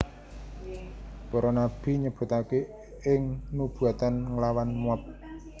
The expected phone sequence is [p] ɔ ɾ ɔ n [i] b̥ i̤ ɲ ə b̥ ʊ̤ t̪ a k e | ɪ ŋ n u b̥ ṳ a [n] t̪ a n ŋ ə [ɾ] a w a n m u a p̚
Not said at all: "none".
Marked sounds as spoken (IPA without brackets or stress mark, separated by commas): p, a, none, l